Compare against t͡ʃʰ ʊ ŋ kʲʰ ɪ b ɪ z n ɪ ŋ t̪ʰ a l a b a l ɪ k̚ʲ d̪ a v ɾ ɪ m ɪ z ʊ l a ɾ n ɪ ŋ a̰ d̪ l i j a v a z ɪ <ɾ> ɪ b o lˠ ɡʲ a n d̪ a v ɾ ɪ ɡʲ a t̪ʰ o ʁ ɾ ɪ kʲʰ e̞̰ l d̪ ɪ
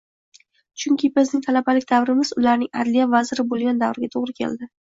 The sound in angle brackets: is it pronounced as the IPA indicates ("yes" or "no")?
yes